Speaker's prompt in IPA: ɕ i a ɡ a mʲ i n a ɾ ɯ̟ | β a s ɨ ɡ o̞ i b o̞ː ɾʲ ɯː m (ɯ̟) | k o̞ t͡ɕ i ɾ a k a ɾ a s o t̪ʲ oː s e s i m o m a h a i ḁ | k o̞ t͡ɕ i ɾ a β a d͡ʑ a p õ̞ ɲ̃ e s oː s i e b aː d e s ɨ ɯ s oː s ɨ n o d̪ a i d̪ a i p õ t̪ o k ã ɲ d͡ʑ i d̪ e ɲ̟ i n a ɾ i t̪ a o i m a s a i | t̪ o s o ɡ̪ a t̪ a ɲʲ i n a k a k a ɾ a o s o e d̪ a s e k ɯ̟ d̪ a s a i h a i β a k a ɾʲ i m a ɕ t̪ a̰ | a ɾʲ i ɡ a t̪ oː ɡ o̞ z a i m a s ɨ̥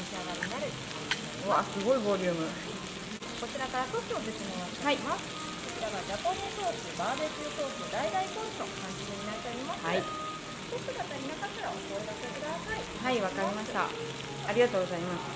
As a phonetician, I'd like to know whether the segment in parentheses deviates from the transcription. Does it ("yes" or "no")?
no